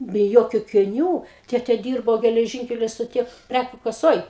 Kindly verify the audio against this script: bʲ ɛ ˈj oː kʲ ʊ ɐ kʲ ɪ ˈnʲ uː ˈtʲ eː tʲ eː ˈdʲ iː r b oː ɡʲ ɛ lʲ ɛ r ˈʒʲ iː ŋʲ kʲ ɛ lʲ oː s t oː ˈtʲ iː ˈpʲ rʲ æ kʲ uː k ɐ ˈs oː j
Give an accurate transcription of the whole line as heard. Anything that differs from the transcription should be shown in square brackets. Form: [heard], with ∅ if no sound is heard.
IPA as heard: bʲ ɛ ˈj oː kʲ ʊ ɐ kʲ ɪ ˈnʲ uː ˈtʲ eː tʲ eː ˈdʲ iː r b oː ɡʲ ɛ lʲ ɛ [∅] ˈʒʲ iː ŋʲ kʲ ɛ lʲ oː s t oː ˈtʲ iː ˈpʲ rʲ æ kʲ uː k ɐ ˈs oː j